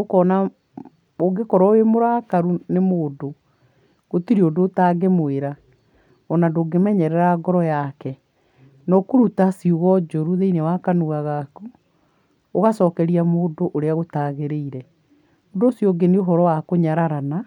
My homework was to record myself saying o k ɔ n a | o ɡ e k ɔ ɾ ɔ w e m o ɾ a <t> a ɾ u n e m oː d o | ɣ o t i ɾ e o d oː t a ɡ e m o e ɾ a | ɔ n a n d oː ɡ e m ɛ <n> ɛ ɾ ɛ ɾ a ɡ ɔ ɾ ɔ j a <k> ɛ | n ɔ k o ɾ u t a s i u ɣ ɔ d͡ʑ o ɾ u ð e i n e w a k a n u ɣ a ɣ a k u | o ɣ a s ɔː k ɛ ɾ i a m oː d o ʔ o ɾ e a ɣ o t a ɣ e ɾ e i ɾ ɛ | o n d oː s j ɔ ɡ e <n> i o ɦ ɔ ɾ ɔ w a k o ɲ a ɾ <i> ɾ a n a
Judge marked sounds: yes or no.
no, no, yes, yes, no

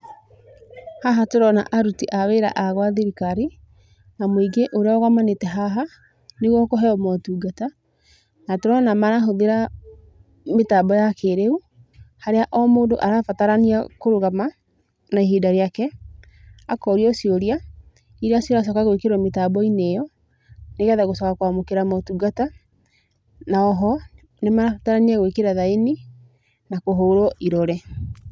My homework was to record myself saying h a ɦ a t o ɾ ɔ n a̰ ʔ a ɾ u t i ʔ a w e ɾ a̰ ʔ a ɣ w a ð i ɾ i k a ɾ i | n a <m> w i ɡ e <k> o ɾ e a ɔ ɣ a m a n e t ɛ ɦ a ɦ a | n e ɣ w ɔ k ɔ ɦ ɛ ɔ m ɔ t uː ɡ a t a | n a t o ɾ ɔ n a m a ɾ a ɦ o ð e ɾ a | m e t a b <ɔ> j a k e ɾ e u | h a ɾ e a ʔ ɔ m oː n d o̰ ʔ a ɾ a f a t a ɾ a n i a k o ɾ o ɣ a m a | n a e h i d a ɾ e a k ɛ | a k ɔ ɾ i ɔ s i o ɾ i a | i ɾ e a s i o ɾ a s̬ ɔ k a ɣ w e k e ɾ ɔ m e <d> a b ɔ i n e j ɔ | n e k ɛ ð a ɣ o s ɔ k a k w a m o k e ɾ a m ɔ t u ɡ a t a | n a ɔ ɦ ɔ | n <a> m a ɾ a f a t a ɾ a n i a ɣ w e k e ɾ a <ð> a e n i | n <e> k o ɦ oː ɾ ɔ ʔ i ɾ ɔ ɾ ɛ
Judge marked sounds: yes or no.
yes, no, yes, no, no, yes, no

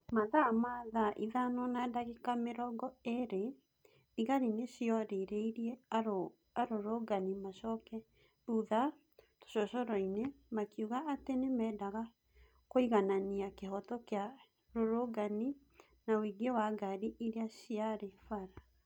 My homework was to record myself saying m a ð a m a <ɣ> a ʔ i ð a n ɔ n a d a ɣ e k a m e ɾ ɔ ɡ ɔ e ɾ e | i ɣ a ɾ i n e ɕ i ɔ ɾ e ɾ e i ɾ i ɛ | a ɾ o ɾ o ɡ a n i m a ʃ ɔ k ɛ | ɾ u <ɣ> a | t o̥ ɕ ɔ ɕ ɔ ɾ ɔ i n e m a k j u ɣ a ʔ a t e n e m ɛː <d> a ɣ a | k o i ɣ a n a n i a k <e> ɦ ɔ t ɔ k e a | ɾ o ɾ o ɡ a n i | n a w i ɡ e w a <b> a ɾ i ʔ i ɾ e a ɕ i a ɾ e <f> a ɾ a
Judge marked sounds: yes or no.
no, no, yes, yes, no, yes

